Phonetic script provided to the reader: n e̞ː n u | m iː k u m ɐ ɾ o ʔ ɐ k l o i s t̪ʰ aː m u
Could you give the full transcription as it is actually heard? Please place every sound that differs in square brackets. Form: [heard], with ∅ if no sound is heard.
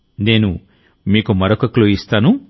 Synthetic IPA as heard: n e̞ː n u | m iː k u m ɐ ɾ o [k] ɐ k l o i s [t̪] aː [n] u